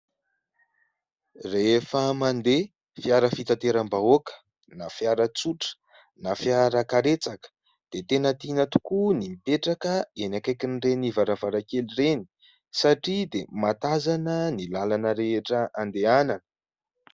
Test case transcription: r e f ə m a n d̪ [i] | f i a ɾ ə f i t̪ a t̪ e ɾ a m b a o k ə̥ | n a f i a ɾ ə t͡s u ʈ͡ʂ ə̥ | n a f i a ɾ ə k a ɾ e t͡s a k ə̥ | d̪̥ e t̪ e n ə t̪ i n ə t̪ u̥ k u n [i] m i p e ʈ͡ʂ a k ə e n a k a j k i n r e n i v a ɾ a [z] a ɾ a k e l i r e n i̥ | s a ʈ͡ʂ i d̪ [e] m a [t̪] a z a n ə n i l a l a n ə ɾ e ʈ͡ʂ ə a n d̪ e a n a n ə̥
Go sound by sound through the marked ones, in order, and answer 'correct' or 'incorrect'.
incorrect: e, correct, incorrect: v, correct, correct

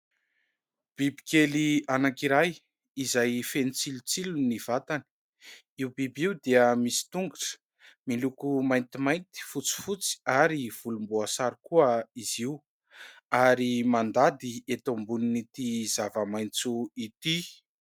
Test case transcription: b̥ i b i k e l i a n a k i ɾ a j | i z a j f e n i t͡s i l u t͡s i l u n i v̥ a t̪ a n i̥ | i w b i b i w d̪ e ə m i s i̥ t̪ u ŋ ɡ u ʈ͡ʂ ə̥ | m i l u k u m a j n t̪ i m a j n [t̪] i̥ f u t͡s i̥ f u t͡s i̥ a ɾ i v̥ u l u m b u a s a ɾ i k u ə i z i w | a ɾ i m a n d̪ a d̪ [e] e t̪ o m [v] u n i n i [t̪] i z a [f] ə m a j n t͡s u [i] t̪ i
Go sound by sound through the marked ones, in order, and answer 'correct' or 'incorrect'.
correct, incorrect: i, incorrect: b, correct, incorrect: v, correct

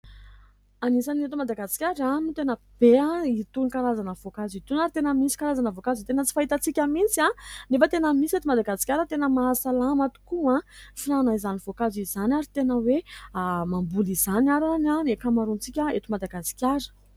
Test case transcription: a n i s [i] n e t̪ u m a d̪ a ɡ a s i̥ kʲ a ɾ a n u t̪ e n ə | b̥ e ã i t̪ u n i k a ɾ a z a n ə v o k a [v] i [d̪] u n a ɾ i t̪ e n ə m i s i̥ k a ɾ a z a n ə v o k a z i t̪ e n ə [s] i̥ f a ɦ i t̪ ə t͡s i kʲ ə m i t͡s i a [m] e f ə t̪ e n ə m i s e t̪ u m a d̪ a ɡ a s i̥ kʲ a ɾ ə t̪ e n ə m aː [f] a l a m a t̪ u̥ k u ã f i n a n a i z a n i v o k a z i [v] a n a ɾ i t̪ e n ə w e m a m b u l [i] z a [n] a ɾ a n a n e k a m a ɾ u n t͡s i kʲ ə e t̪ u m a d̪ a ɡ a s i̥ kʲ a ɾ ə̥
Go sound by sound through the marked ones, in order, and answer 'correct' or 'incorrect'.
incorrect: a, incorrect: z, incorrect: t̪, incorrect: t͡s, incorrect: n, incorrect: s, incorrect: z, correct, correct

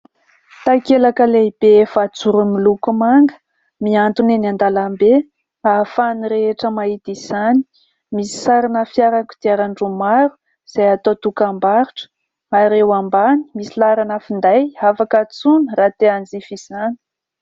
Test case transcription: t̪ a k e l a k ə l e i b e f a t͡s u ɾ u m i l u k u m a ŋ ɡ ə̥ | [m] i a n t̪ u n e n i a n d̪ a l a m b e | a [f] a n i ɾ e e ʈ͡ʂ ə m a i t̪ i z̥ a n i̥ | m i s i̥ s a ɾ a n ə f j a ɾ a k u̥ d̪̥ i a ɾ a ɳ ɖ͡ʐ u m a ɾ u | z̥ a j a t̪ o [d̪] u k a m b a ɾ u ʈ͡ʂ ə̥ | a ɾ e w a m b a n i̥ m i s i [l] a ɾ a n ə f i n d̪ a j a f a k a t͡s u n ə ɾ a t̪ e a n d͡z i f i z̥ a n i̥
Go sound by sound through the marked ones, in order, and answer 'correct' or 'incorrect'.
correct, correct, incorrect: t̪, correct

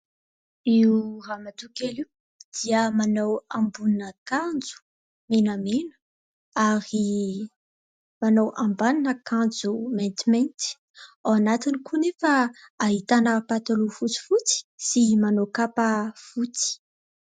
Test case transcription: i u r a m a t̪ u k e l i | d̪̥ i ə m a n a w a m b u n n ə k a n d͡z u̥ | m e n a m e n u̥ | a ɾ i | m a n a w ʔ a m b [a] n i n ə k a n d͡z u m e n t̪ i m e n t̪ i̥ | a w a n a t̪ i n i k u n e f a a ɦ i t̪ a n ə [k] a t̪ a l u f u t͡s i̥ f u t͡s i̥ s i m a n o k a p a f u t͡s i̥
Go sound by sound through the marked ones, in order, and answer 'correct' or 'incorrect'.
correct, incorrect: p

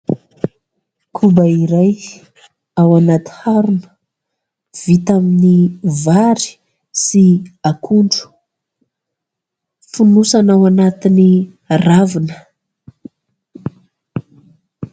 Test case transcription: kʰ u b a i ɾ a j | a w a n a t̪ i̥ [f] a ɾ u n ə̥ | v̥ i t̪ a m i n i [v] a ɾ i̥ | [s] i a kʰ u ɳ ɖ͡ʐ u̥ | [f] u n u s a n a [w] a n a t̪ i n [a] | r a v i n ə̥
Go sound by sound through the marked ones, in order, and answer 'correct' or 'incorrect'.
incorrect: h, correct, correct, correct, correct, incorrect: i

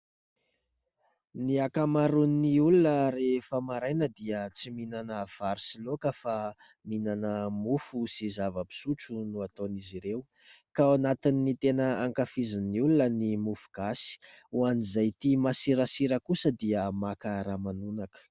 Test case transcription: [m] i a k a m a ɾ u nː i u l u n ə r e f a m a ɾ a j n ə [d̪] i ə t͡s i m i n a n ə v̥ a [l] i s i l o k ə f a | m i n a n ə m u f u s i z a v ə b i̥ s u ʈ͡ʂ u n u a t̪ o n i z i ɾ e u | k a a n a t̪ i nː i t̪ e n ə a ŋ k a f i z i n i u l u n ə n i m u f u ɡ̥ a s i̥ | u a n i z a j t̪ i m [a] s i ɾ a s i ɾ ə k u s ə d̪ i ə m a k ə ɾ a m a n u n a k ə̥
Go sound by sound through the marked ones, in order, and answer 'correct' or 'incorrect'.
incorrect: n, correct, incorrect: ɾ, correct

